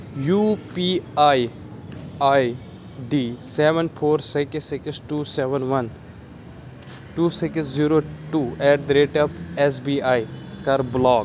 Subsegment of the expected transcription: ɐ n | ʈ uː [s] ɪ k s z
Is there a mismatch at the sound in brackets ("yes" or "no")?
no